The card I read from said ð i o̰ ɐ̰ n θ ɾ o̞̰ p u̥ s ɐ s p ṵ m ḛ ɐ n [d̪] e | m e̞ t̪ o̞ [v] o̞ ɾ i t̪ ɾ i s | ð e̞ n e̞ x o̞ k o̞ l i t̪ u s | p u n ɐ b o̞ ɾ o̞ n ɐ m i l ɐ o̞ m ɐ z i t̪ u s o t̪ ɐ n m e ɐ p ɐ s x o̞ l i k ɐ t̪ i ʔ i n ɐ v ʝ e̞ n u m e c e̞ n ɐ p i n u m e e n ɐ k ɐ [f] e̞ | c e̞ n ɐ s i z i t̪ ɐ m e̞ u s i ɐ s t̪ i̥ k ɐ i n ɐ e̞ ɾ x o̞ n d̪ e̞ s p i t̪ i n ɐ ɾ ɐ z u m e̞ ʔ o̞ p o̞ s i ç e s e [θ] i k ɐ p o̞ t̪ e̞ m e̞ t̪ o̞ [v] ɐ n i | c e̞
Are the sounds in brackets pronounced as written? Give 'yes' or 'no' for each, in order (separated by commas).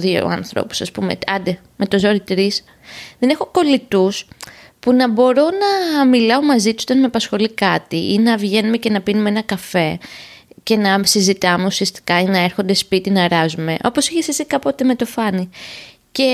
yes, no, yes, no, no